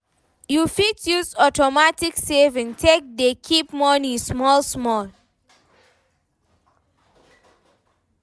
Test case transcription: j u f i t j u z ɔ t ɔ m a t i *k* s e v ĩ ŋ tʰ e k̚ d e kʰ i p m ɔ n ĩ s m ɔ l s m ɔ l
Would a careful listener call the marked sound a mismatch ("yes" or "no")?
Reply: no